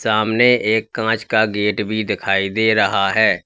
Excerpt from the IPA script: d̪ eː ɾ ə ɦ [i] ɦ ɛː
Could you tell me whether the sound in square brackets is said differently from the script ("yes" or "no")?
yes